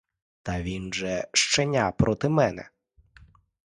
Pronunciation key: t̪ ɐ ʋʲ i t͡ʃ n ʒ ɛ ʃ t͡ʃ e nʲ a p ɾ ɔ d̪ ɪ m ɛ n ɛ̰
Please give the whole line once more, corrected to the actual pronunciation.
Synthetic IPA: t̪ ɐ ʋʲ i n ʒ ɛ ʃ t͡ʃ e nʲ a p ɾ ɔ t̪ ɪ m ɛ n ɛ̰